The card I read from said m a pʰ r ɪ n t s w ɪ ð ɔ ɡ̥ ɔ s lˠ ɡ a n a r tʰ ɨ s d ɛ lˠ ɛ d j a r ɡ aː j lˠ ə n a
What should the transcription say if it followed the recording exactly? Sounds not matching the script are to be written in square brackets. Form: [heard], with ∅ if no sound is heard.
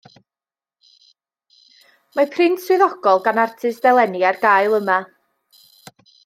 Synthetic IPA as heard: m a pʰ r ɪ n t s w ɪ ð ɔ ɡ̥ ɔ [∅] lˠ ɡ a n a r tʰ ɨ s d ɛ lˠ ɛ [n] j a r ɡ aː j lˠ ə [m] a